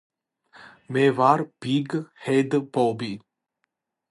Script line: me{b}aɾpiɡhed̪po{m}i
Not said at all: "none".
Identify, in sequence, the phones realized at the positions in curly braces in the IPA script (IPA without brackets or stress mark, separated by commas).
v, b